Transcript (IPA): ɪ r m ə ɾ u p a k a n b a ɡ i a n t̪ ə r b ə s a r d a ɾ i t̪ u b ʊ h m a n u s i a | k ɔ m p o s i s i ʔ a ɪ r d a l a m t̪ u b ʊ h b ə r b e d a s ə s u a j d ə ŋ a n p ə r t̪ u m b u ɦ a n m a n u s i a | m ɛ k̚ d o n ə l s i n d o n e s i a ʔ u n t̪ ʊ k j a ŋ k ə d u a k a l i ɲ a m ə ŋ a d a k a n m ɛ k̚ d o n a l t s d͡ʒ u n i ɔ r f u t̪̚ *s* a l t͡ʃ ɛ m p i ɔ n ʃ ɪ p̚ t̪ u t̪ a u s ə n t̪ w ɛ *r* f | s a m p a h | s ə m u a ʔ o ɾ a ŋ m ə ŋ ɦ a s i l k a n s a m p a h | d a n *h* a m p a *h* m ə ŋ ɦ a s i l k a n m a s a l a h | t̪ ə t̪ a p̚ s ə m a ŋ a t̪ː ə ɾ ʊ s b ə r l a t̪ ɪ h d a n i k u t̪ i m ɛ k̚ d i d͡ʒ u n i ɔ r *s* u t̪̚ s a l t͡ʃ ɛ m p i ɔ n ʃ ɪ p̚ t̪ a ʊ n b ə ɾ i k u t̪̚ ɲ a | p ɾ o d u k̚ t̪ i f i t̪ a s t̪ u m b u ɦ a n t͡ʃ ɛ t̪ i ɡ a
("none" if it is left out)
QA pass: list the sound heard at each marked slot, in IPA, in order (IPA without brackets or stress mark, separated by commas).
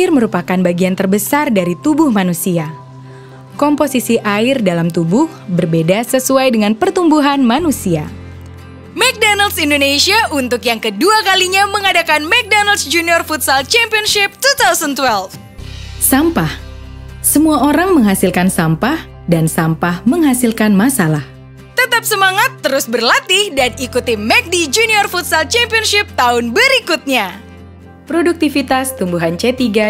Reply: s, l, s, h, f